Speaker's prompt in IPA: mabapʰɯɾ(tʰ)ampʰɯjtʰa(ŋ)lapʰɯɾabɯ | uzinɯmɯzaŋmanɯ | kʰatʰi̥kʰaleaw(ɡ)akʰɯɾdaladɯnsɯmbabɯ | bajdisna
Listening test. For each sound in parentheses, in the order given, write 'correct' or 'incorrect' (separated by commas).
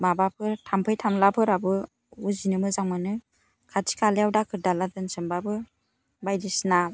correct, incorrect, incorrect